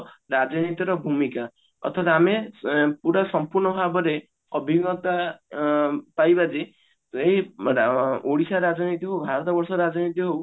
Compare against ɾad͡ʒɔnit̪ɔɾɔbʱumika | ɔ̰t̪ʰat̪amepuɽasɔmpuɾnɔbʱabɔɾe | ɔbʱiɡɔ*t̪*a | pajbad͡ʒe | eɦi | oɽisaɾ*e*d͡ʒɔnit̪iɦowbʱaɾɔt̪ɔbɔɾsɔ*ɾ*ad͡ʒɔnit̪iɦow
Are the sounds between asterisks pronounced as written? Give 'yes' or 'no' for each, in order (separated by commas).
yes, no, yes